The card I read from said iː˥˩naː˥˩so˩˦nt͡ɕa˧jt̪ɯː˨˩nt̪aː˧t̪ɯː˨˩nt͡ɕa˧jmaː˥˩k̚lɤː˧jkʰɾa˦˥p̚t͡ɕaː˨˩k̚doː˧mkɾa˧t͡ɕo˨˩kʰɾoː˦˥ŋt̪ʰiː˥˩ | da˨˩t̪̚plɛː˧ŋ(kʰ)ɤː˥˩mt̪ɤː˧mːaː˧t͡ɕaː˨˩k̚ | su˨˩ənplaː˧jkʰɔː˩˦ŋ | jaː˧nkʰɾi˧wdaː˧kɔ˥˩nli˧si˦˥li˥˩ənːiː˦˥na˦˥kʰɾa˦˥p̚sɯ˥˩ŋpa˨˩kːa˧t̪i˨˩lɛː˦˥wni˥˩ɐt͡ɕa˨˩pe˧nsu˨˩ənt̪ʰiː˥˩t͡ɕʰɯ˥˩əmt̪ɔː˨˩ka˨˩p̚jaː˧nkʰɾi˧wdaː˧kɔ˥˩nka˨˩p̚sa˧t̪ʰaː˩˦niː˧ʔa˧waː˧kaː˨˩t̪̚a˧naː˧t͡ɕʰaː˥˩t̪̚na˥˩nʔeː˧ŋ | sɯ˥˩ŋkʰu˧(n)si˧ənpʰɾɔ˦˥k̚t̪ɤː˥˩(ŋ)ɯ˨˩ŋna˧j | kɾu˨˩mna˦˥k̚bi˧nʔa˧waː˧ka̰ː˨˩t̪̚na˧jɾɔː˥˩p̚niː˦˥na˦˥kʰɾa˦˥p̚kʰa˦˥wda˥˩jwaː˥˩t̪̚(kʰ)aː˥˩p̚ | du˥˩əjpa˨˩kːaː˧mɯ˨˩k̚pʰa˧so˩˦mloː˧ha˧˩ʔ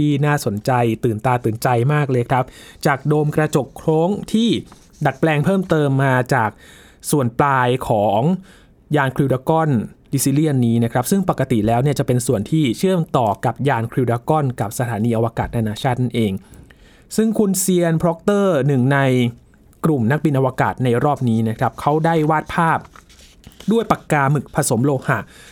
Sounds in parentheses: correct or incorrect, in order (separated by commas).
incorrect, correct, incorrect, incorrect